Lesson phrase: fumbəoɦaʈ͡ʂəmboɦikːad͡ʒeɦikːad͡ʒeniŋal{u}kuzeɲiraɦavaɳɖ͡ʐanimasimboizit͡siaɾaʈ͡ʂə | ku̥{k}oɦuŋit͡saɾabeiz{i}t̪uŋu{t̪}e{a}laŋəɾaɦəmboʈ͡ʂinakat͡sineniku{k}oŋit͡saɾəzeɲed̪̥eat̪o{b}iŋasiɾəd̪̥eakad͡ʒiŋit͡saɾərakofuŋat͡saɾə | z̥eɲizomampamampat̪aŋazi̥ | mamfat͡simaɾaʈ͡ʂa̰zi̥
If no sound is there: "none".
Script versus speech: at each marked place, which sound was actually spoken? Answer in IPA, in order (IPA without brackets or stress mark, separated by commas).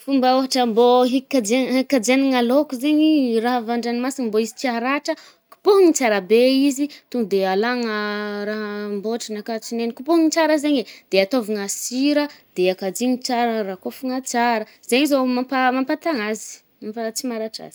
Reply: o, p, i, d̪, a, p, v